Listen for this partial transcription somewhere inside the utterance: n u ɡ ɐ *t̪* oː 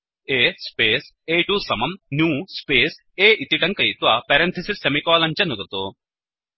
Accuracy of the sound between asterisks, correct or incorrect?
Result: correct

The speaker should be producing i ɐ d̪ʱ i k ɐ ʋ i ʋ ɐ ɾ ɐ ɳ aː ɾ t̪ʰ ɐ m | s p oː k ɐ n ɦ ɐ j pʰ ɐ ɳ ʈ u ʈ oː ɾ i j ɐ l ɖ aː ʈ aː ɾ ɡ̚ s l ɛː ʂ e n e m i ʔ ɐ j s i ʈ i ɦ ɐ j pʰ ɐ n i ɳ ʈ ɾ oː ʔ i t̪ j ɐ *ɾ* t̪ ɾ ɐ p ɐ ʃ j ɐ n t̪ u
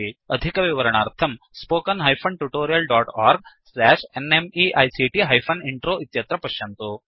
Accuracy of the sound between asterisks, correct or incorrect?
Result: incorrect: none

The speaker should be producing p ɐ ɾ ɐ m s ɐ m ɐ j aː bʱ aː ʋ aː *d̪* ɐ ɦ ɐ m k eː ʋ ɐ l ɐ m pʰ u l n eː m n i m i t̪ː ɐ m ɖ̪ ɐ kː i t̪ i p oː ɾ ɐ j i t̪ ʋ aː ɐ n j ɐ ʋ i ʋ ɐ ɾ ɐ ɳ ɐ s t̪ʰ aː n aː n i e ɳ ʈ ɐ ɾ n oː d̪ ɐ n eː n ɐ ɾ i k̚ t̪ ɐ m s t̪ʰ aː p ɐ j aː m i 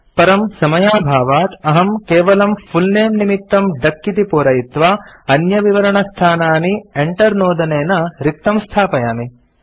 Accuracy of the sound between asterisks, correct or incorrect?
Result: incorrect: t̪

